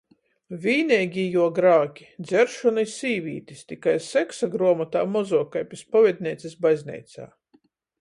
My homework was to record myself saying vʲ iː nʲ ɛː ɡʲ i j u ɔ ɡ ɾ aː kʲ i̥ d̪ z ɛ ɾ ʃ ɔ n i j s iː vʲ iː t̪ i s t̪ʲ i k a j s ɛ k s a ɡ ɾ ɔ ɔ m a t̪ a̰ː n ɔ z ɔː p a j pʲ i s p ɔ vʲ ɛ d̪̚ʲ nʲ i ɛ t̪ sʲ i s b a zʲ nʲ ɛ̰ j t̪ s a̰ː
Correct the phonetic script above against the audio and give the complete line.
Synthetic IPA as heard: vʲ iː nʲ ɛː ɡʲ i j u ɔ ɡ ɾ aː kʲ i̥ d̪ z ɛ ɾ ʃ ɔ n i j s iː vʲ iː t̪ i s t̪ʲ i k a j s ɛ k s a ɡ ɾ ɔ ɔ m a t̪ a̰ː m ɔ z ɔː k a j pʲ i s p ɔ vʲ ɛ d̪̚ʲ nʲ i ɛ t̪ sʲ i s b a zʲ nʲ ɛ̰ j t̪ s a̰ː